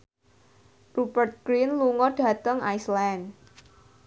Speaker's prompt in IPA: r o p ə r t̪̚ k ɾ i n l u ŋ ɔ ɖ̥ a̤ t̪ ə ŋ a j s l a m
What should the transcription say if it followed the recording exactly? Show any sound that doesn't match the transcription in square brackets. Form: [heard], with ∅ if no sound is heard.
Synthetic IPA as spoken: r [u] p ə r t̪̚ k ɾ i n l u ŋ ɔ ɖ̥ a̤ t̪ ə ŋ a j s l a [n]